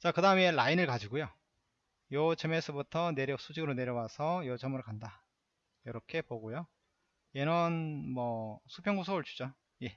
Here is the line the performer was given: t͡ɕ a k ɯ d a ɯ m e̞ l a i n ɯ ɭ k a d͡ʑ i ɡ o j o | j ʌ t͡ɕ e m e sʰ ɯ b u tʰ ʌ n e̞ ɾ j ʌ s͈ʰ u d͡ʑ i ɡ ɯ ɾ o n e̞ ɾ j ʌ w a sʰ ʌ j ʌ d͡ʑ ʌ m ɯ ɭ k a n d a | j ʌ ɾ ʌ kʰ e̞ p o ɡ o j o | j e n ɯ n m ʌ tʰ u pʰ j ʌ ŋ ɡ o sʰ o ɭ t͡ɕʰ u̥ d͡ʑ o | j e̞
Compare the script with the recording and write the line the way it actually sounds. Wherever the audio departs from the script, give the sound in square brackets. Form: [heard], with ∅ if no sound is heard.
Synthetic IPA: t͡ɕ a k ɯ d a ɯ m e̞ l a i n ɯ ɭ k a d͡ʑ i ɡ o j o | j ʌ t͡ɕ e m e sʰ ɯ b u tʰ ʌ n e̞ ɾ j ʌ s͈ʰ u d͡ʑ i ɡ ɯ ɾ o n e̞ ɾ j ʌ w a sʰ ʌ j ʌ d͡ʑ ʌ m ɯ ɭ k a n d a | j ʌ ɾ ʌ kʰ e̞ p o ɡ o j o | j e n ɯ n m ʌ [sʰ] u pʰ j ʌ ŋ ɡ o sʰ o ɭ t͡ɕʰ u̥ d͡ʑ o | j e̞